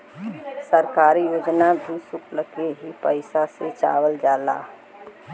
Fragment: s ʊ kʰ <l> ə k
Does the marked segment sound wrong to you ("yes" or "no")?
no